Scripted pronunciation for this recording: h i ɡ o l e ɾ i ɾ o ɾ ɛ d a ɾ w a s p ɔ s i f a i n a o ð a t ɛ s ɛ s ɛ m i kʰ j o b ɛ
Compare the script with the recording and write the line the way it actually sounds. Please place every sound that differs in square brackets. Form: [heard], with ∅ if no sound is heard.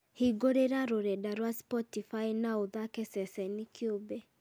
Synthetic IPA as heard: h i ɡ o [ɾ] e ɾ [a] ɾ o ɾ ɛ d a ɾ w a s p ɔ [t] i f a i n a o ð a [k] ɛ s ɛ s ɛ [n] i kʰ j o b ɛ

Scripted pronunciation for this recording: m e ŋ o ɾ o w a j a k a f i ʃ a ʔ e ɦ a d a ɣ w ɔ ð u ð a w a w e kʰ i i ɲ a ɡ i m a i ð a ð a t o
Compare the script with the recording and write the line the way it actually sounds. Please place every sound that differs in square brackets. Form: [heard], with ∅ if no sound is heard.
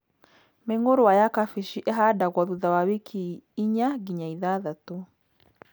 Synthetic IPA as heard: m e ŋ o ɾ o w a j a k a f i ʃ [i] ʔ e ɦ a d a ɣ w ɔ ð u ð a w a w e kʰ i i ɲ a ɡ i [ɲ] a i ð a ð a t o

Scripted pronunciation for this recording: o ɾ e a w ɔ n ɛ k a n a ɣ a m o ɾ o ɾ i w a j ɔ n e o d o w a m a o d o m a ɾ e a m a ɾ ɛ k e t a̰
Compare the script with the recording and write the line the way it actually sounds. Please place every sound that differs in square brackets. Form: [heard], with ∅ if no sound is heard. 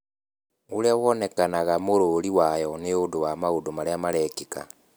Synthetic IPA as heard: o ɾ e a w ɔ n ɛ k a n a ɣ a m o ɾ o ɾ i w a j ɔ n e o d o w a m a o d o m a ɾ e a m a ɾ ɛ k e [k] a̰

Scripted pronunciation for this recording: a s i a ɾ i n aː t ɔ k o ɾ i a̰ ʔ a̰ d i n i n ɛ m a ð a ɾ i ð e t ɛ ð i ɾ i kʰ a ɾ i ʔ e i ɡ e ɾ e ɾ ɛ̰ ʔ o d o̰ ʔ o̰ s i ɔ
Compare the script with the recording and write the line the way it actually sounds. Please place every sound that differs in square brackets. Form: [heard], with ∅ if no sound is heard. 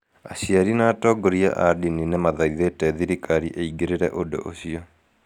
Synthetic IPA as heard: a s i a ɾ i n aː t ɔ [ɡ] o ɾ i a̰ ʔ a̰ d i n i n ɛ m a ð a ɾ i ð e t ɛ ð i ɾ i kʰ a ɾ i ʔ e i ɡ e ɾ e ɾ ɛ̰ ʔ o d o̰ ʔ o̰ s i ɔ

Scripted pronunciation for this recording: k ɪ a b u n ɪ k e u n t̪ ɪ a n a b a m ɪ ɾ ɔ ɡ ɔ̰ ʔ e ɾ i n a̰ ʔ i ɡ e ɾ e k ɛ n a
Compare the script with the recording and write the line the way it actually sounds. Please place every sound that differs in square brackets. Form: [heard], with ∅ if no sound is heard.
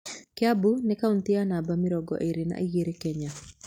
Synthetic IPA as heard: k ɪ a b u n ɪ k [a] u n t̪ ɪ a n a b a m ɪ ɾ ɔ ɡ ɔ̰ ʔ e ɾ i n a̰ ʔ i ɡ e ɾ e k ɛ [ɲ] a

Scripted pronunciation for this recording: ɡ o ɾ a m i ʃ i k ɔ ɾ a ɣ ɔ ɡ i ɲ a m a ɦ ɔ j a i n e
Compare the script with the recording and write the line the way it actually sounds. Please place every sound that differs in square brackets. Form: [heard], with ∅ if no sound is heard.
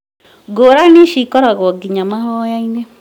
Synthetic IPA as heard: ɡ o ɾ a [n] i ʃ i k ɔ ɾ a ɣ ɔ ɡ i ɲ a m a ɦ ɔ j a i n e

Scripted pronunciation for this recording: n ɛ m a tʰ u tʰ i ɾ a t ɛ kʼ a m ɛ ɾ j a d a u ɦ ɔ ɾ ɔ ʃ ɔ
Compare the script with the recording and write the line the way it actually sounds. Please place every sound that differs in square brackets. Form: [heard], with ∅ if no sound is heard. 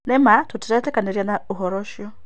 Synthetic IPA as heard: n ɛ m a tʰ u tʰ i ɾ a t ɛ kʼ a [n] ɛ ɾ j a [n] a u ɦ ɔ ɾ ɔ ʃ ɔ

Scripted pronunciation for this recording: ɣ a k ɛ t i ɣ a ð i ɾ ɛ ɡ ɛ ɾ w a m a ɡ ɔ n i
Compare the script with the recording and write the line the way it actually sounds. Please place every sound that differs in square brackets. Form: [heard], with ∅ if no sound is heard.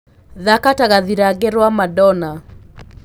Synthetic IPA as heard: [ð] a k [a] t [a] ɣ a ð i ɾ [a] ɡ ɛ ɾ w a m a [d] ɔ n [a]

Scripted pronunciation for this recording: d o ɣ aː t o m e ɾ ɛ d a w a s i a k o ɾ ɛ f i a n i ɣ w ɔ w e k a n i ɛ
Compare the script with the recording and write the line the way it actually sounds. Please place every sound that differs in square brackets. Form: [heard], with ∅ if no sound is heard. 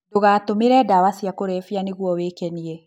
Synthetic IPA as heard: d o ɣ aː t o m e ɾ ɛ d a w a s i a k o ɾ ɛ f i a n [e] ɣ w ɔ w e k [ɛ] n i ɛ

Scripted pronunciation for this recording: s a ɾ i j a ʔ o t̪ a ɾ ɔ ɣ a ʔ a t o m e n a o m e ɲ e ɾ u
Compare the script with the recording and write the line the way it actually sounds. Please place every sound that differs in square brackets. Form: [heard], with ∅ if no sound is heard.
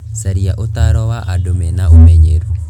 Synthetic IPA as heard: s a ɾ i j a ʔ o t̪ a ɾ ɔ [w] a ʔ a [d] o m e n a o m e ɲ e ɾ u

